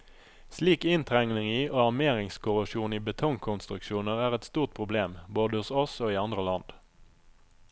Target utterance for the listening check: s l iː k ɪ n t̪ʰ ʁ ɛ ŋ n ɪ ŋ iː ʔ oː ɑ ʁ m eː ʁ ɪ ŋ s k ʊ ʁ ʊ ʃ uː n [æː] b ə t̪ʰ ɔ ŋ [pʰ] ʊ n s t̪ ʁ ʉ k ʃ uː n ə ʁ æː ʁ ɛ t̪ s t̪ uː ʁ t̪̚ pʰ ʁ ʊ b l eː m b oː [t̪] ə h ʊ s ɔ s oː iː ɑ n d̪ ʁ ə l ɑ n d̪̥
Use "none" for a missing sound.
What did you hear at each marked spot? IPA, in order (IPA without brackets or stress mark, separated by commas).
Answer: iː, kʰ, d̪